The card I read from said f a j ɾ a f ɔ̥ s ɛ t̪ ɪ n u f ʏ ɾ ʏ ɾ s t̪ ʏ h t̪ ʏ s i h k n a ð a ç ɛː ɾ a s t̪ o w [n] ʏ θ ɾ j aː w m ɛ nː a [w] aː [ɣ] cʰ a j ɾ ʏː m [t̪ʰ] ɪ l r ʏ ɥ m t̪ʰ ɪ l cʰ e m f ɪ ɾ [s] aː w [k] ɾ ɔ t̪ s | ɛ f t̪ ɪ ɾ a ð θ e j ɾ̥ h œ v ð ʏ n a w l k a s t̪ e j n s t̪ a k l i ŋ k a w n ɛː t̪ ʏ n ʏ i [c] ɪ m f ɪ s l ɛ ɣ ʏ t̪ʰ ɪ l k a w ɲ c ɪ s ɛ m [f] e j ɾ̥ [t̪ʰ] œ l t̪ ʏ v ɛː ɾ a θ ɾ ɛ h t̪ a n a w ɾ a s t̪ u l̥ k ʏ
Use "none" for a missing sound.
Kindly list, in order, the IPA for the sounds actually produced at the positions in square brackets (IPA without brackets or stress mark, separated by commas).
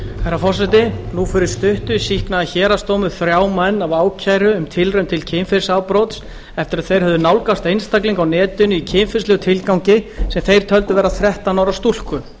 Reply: m, v, w, t̪ʰ, s, p, cʰ, θ, t̪ʰ